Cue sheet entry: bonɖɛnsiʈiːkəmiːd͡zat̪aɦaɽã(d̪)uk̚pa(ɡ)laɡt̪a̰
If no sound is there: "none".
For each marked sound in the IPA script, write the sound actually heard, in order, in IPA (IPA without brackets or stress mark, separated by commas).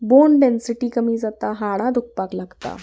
d̪, k